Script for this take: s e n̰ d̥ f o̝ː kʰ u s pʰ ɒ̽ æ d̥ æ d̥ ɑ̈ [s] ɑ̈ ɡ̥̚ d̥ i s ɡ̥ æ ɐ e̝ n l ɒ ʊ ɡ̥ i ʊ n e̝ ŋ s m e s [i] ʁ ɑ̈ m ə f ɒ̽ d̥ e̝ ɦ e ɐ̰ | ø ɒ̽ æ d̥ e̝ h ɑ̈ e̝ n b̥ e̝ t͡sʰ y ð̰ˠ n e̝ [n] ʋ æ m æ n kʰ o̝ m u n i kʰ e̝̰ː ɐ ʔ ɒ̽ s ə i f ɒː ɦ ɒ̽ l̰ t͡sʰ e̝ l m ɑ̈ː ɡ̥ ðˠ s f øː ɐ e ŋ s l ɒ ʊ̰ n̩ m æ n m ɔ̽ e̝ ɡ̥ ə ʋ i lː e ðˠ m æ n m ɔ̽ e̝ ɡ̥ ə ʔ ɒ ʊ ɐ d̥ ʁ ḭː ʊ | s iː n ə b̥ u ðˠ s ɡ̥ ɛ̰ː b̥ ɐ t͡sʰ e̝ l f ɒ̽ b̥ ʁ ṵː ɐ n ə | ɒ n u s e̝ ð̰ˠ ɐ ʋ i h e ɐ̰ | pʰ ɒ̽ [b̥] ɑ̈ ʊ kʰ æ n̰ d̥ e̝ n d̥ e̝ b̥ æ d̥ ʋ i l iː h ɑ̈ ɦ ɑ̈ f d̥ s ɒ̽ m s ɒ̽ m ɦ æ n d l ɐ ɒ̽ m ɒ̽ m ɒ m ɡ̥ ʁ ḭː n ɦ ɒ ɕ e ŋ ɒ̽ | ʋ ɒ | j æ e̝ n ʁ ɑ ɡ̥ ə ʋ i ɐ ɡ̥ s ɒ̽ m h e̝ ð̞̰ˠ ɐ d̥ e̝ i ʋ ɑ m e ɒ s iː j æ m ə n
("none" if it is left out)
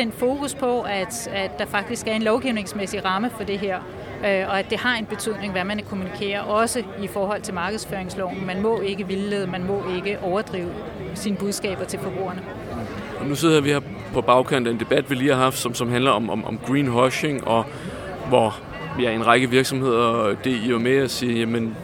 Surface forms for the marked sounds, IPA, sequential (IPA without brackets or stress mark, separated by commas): f, i, ŋ, b̥